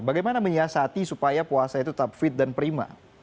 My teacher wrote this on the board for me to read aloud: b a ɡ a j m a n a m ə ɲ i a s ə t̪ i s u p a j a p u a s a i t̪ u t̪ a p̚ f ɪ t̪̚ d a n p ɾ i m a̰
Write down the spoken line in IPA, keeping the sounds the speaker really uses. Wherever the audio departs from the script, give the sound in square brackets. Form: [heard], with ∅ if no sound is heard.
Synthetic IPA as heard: b a ɡ a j m a n a m ə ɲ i a s [a] t̪ i s u p a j a p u a s a i t̪ u t̪ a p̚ f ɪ t̪̚ d a n p ɾ i m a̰